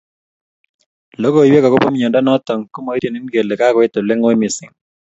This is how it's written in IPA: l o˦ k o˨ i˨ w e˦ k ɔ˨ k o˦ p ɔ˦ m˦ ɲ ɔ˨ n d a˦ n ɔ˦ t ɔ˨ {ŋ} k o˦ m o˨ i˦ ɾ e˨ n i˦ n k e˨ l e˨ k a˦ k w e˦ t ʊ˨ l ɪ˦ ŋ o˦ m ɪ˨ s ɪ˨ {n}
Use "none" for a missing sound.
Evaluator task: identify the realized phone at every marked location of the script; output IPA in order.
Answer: ŋ, ŋ

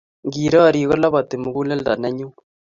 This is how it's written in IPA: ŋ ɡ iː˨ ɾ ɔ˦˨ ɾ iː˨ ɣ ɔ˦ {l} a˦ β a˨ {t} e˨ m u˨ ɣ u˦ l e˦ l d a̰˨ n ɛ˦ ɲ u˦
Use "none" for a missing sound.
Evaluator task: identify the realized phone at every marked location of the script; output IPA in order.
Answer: l, t

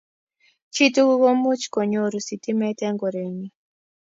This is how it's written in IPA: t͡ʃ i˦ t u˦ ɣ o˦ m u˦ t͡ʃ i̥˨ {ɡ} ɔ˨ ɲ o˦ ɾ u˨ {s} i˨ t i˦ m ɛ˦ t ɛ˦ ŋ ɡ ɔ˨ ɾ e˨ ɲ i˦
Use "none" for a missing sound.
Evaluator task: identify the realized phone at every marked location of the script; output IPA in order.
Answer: k, s

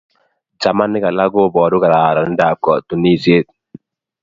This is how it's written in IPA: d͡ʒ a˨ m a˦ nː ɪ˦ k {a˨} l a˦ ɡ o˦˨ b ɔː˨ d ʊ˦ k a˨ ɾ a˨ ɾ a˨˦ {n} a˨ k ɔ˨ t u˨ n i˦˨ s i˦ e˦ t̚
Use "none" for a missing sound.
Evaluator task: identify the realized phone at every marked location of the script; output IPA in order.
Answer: a˨, d

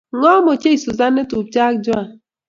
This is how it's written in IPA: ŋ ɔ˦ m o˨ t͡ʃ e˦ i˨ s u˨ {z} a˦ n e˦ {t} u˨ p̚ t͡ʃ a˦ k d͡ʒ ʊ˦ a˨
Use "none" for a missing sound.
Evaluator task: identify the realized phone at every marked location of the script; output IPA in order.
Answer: z, t

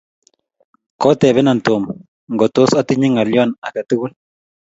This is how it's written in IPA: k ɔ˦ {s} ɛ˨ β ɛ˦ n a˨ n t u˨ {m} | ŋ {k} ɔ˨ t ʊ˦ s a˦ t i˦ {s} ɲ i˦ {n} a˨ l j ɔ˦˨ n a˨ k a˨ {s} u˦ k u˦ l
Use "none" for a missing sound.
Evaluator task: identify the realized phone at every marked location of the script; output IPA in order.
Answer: t, m, ɡ, none, ŋ, t

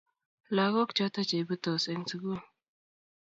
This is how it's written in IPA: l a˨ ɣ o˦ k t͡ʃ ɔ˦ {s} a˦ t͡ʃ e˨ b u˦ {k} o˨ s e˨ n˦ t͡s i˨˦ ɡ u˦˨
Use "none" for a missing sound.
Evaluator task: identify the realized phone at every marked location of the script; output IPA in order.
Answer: t, t

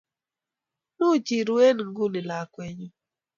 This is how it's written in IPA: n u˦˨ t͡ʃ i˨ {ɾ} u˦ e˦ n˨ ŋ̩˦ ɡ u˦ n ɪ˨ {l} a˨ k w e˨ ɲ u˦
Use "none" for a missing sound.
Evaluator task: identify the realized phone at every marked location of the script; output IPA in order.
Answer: ɾ, l

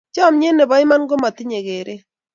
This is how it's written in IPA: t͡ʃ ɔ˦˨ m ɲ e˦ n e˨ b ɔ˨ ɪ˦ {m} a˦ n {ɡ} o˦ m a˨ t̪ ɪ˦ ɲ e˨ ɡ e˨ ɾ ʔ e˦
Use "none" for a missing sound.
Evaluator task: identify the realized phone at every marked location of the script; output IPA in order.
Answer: m, ɡ

